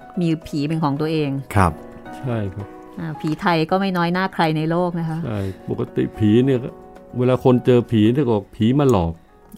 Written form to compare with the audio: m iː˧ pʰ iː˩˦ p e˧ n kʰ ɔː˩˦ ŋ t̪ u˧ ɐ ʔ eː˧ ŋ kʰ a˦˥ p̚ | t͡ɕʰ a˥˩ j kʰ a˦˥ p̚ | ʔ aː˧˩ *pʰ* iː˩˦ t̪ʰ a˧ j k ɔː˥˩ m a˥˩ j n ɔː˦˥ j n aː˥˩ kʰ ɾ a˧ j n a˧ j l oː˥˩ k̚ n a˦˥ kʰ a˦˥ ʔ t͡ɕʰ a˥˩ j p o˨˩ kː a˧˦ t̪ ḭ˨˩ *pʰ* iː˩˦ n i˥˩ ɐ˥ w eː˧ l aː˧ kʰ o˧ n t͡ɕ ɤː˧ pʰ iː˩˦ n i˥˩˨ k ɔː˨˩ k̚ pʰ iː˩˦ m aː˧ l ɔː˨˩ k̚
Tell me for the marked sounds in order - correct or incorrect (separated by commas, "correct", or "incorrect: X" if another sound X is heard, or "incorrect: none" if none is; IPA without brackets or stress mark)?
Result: correct, correct